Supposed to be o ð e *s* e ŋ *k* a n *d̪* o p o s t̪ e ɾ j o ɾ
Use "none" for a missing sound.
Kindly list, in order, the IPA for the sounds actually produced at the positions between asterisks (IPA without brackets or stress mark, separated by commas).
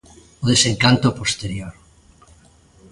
s, k, t̪